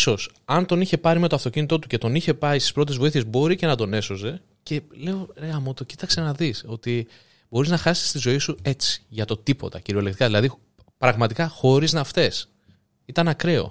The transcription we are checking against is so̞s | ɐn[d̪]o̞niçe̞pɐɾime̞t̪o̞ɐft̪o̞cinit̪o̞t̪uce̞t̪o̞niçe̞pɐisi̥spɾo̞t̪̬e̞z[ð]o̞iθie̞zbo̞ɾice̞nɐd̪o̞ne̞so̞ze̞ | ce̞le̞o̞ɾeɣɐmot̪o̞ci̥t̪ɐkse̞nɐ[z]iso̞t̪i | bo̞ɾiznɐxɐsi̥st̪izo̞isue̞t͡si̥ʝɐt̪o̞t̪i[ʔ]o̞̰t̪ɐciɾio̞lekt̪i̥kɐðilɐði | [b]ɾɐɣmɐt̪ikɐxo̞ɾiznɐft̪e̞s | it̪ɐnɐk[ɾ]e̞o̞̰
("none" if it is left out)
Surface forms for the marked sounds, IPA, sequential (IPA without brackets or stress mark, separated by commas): t̪, v, ð, p, p, ɾ